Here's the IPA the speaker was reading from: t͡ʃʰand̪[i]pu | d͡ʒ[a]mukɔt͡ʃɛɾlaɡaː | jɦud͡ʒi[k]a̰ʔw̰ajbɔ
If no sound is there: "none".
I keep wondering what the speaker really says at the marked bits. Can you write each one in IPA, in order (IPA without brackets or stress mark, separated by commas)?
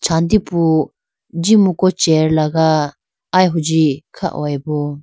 i, i, kʰ